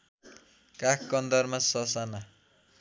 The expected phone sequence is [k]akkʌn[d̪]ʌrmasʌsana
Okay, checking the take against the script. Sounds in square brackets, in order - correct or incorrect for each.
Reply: correct, correct

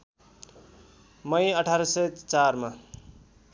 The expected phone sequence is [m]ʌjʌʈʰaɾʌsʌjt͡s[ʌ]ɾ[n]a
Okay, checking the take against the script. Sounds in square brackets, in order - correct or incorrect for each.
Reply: correct, incorrect: a, incorrect: m

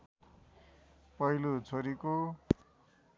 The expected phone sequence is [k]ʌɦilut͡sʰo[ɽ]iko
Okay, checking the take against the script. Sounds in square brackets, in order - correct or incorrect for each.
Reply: incorrect: p, incorrect: ɾ

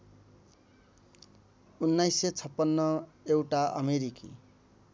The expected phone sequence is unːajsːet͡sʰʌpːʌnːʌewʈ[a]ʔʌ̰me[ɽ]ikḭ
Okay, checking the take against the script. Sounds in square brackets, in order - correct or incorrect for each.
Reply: correct, incorrect: ɾ

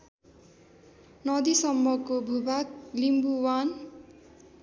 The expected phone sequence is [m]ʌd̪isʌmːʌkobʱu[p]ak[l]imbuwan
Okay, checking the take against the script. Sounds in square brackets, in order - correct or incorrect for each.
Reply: incorrect: n, incorrect: b, correct

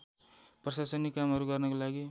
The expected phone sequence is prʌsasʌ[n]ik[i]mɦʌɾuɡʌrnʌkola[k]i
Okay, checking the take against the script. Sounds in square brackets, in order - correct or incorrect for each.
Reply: correct, incorrect: a, incorrect: ɡ

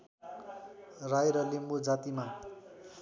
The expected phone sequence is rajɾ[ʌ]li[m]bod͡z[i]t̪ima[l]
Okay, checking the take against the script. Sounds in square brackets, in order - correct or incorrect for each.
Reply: correct, correct, incorrect: a, incorrect: none

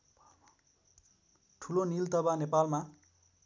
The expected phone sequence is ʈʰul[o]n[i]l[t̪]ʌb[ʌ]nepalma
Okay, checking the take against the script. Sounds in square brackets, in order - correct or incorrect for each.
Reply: correct, correct, correct, incorrect: a

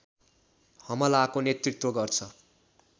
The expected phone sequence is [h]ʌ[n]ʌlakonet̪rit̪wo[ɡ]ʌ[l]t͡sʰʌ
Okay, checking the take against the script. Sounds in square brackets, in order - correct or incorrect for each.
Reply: correct, incorrect: m, correct, incorrect: r

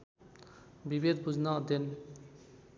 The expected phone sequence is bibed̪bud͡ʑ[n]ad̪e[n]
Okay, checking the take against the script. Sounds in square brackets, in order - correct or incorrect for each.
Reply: correct, correct

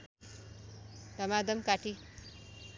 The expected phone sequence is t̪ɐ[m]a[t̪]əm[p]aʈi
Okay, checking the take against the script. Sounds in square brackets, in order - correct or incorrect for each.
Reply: correct, incorrect: d̪, incorrect: k

